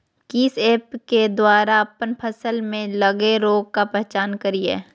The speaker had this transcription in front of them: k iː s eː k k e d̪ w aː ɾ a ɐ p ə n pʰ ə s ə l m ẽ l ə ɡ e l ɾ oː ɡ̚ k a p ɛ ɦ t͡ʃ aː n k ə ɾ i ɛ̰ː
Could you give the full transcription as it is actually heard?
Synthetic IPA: k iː s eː p k e d̪ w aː ɾ a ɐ p ə n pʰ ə s ə l m ẽ l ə ɡ e ɾ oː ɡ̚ k a p ɛ ɦ t͡ʃ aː n k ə ɾ i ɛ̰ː